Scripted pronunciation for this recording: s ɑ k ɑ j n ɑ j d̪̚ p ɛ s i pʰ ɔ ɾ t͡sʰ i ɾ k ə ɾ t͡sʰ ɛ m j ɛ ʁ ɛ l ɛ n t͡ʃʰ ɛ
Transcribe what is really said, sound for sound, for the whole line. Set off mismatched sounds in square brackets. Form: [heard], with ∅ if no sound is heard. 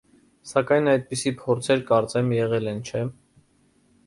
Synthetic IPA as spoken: s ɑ k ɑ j n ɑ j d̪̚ p [i] s i pʰ ɔ ɾ t͡sʰ [ɛ] ɾ k [ɑ] ɾ [t͡s] ɛ m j ɛ ʁ ɛ l ɛ n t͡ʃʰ ɛ